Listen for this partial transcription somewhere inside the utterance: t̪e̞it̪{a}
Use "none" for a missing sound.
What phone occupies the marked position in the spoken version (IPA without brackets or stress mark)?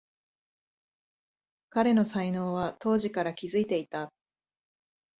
a